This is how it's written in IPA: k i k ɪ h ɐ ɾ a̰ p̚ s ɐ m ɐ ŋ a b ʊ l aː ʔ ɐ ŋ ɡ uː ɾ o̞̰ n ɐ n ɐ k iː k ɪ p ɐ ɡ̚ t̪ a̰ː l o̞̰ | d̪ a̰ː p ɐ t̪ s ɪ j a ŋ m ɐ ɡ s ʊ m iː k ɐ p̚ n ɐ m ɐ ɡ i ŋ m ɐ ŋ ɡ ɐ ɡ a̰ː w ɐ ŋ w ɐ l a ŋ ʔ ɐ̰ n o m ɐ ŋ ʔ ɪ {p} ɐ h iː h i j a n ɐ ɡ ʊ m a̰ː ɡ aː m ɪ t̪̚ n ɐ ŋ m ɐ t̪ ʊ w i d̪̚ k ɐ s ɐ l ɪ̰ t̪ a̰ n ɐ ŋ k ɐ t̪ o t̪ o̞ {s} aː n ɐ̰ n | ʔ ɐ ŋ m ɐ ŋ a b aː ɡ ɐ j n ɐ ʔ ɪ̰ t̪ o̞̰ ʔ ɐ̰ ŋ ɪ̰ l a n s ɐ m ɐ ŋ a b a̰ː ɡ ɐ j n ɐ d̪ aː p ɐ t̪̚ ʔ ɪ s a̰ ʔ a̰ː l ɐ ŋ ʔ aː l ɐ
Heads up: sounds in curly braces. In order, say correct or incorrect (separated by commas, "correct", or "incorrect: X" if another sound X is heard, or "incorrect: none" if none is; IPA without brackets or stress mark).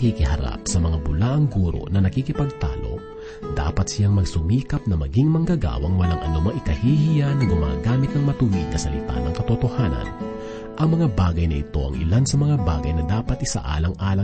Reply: incorrect: k, incorrect: h